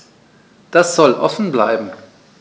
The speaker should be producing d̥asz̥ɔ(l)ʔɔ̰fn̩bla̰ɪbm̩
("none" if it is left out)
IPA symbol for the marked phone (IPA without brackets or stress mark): l